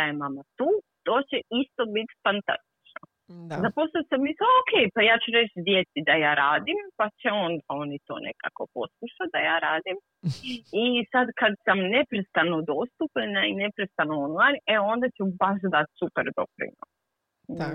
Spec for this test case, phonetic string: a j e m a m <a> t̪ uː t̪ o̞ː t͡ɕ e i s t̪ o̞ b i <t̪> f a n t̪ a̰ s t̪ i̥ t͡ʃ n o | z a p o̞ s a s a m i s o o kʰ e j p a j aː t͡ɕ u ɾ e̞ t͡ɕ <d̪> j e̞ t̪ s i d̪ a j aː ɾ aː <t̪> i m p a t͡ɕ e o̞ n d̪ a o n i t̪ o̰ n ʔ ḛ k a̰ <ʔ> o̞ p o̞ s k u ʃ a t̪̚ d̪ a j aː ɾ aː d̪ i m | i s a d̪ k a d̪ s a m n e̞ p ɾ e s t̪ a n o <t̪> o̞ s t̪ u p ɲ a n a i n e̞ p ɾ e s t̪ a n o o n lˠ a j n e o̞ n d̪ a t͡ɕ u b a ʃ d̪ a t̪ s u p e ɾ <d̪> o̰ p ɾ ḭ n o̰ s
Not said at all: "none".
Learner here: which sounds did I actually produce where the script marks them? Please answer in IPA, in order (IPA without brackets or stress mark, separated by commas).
a, t̪, d̪, d̪, k, d̪, d̪